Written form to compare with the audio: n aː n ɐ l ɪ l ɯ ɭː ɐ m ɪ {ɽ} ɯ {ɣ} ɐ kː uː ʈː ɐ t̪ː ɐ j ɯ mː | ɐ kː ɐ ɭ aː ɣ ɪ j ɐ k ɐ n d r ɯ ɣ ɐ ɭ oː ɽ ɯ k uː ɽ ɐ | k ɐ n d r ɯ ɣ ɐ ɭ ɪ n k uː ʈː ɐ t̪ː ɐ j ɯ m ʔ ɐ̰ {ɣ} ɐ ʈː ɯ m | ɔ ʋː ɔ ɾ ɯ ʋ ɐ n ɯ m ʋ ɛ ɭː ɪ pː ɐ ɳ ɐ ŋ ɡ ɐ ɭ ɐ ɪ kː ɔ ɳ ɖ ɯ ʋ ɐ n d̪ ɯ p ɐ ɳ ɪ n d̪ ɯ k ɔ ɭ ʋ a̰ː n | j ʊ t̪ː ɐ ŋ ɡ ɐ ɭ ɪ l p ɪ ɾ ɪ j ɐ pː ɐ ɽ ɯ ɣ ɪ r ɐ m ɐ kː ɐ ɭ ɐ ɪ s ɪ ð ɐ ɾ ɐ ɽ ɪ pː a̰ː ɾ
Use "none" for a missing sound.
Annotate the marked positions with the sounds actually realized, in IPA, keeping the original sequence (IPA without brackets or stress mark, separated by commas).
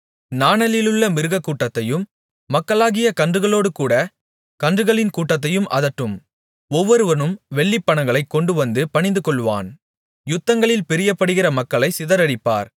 ɾ, ɣ, ð